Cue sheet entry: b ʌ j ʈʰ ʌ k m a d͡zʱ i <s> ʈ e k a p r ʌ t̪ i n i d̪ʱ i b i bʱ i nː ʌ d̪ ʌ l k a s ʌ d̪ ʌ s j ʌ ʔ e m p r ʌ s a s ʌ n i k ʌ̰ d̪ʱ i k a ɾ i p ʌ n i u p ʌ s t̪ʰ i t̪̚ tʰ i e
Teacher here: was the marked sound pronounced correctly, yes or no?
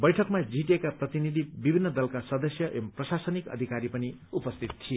no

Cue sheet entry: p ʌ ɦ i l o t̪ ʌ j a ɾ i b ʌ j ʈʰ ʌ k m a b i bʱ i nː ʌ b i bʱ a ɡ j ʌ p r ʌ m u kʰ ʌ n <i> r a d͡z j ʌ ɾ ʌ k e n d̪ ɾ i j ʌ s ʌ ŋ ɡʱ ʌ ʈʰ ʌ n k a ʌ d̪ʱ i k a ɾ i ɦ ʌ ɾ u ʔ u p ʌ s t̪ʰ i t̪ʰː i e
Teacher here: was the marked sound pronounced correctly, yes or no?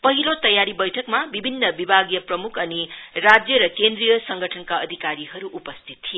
yes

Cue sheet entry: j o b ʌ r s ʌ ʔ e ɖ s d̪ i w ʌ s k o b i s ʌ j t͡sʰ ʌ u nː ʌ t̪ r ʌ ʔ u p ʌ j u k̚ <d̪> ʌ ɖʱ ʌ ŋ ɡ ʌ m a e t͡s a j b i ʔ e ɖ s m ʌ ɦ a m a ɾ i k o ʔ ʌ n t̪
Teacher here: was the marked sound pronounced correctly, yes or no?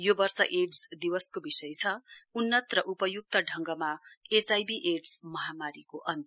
no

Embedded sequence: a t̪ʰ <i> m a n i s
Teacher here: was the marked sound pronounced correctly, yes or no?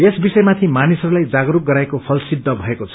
yes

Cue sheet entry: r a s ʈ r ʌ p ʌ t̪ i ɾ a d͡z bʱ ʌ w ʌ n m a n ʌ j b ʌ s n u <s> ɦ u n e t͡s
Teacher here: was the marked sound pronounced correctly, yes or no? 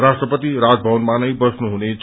no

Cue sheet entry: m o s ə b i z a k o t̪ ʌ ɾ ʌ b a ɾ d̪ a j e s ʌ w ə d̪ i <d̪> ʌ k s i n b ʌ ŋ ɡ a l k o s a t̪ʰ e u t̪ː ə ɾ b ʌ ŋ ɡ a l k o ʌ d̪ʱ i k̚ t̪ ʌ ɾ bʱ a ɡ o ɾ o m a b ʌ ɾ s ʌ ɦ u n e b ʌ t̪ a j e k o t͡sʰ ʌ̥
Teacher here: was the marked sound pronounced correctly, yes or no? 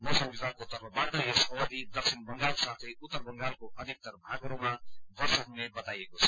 yes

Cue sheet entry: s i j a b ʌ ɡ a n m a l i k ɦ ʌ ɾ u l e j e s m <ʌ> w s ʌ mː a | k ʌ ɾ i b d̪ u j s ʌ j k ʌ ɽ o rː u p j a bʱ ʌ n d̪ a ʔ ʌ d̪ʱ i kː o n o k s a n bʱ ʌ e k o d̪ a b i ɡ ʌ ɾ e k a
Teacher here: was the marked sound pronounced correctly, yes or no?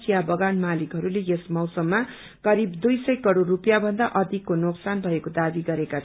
yes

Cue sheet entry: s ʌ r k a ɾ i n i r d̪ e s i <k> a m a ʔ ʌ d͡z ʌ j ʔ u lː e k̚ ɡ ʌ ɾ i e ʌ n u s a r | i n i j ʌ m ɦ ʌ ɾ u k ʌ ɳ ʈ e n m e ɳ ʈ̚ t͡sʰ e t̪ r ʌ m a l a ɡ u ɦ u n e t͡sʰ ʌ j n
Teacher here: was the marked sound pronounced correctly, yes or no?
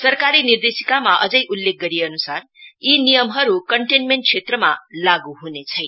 yes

